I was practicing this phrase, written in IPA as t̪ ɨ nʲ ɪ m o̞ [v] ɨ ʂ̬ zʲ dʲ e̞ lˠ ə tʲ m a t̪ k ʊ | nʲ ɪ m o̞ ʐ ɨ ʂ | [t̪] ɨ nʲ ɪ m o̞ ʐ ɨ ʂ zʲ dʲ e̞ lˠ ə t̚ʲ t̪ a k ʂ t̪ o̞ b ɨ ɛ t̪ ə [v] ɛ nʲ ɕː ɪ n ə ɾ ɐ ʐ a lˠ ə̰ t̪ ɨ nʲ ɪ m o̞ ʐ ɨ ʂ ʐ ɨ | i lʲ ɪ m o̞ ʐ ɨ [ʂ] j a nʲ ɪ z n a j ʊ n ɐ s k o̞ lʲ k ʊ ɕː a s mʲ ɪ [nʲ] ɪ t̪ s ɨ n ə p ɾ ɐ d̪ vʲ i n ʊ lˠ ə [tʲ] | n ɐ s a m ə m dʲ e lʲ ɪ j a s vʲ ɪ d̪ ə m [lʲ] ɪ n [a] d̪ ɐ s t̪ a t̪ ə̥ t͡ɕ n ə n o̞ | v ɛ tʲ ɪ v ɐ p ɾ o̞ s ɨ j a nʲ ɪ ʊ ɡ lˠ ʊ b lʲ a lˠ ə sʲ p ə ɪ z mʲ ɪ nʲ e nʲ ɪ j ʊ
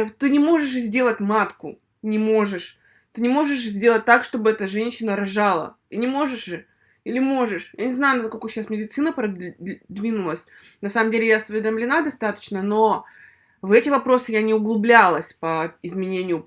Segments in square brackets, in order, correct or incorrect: incorrect: ʐ, correct, incorrect: ʐ, correct, incorrect: dʲ, incorrect: sʲ, correct, correct

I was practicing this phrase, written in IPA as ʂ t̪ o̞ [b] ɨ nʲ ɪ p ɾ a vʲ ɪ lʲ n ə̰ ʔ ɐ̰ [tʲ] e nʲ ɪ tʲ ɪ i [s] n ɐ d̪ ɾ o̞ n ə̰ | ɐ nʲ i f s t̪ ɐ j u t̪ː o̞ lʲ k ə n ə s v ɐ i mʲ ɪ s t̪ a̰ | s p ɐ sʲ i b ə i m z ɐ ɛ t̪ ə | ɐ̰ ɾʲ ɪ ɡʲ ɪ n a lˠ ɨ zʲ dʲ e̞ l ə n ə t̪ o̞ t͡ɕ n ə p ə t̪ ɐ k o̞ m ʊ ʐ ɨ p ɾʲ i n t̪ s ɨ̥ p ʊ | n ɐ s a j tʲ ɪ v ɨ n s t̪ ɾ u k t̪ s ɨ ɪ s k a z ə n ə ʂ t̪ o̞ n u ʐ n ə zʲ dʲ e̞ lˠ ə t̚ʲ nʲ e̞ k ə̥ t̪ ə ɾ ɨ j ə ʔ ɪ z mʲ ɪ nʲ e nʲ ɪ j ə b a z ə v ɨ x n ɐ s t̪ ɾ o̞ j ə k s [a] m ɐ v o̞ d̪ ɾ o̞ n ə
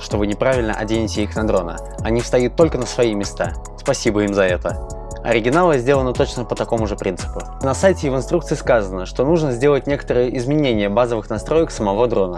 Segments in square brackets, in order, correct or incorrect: incorrect: v, incorrect: dʲ, incorrect: x, incorrect: ə

